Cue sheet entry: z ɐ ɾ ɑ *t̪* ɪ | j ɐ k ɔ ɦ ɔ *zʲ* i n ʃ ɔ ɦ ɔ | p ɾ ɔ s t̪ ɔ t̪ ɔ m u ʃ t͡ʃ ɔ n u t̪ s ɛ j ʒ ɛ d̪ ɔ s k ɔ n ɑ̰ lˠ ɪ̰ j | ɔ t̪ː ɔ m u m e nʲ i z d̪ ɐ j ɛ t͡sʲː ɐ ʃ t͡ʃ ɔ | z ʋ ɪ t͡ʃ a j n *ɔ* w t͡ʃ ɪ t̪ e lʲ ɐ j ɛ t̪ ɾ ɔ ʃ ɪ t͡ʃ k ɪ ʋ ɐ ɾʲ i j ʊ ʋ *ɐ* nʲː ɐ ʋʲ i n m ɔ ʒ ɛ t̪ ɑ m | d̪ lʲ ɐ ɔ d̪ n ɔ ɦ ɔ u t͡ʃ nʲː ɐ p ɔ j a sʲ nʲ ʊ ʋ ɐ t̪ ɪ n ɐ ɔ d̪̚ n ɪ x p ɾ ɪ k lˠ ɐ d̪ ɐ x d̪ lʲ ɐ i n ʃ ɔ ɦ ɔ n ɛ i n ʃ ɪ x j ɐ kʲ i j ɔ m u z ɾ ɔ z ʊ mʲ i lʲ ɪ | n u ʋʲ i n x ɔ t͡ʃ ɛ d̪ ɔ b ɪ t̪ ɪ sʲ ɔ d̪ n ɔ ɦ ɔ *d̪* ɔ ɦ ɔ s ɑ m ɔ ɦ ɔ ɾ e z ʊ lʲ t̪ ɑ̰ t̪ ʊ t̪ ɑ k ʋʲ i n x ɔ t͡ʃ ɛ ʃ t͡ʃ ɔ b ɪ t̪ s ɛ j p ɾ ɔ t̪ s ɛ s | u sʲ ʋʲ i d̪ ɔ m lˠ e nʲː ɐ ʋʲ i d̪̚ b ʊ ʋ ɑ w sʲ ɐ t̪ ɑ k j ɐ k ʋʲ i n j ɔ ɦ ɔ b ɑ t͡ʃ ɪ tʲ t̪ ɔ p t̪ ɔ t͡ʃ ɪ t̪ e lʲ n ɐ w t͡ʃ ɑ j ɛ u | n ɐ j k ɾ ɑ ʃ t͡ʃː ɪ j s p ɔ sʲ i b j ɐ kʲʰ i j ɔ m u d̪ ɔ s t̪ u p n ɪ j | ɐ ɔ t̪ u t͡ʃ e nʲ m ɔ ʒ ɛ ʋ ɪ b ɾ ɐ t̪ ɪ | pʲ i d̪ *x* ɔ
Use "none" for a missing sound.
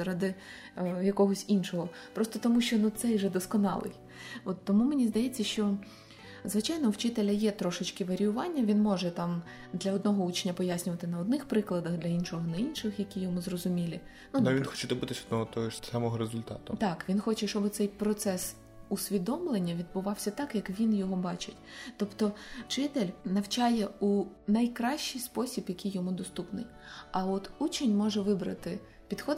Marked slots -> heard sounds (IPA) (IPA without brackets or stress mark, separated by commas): d̪, sʲ, ɔ, ɑ, t̪, x